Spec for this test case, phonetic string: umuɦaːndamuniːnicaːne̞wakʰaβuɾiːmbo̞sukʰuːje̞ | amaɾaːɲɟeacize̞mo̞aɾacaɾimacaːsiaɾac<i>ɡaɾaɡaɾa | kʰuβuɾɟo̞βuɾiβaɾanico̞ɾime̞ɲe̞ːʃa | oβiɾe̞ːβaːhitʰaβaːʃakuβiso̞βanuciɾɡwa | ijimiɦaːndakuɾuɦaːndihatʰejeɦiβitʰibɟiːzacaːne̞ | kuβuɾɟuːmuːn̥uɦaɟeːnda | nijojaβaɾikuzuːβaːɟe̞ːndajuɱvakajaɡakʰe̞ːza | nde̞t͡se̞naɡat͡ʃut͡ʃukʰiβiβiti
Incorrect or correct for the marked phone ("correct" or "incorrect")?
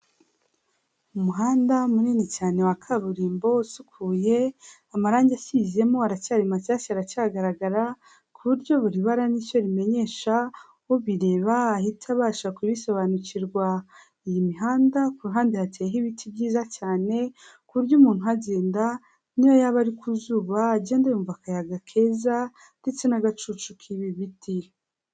incorrect